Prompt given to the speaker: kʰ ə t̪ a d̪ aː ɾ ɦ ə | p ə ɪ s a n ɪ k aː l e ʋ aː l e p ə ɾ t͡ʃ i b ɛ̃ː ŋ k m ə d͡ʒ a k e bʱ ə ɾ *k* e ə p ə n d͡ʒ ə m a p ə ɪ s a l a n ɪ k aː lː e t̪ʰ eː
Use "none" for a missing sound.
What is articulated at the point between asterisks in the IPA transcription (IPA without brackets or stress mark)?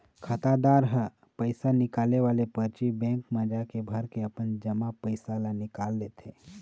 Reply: k